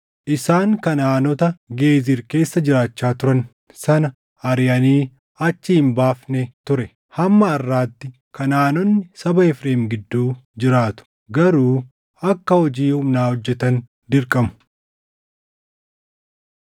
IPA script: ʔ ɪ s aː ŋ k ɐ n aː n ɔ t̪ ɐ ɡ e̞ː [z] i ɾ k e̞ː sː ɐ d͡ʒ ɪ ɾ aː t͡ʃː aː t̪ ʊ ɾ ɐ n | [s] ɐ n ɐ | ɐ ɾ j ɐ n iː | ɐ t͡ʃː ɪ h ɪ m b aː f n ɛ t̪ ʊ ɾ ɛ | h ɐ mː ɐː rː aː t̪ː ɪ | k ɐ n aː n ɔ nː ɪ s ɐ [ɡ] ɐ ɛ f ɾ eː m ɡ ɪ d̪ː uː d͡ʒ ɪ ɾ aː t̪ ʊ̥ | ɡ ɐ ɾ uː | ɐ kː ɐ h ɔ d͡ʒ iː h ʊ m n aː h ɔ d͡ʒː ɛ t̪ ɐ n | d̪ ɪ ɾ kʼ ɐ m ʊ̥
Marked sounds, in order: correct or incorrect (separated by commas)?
correct, correct, incorrect